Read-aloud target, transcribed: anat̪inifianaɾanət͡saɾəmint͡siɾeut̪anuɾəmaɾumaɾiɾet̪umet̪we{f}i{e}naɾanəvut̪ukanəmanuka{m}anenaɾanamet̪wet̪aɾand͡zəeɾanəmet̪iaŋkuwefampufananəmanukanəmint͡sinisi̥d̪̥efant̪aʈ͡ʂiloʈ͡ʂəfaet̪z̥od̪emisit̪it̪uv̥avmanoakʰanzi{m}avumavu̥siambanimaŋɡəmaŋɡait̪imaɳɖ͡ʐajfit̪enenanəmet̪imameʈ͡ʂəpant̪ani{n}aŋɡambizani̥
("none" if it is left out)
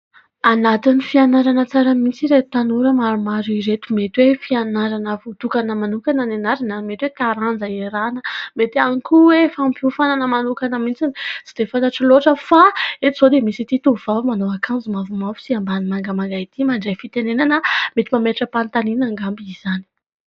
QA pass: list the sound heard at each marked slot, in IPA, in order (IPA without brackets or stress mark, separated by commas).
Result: f, a, n, m, n